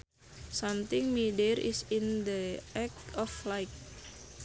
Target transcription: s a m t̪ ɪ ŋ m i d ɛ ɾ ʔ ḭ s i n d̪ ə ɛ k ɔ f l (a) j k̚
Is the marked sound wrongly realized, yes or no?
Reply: no